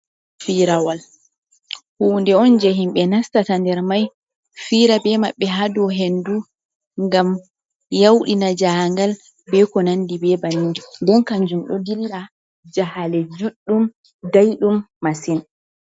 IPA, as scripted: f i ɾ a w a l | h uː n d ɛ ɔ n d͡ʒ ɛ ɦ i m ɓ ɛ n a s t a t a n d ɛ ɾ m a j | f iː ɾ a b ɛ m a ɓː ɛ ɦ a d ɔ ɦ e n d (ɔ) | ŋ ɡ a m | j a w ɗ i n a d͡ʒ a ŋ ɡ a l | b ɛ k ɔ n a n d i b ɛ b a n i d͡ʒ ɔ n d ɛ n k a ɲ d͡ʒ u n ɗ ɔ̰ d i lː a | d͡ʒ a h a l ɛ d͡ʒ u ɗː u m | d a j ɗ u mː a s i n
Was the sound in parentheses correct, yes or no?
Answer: no